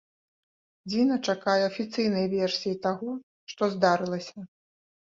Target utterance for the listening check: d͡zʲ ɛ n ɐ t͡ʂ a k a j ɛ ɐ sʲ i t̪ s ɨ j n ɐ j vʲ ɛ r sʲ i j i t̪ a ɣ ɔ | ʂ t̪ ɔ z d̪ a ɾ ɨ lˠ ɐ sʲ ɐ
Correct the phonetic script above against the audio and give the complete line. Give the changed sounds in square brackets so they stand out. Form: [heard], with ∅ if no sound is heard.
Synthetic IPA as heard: d͡zʲ [i] n ɐ t͡ʂ a k a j ɛ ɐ [fʲ] i t̪ s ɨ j n ɐ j vʲ ɛ r sʲ i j i t̪ a ɣ ɔ | ʂ t̪ ɔ z d̪ a ɾ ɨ lˠ ɐ sʲ ɐ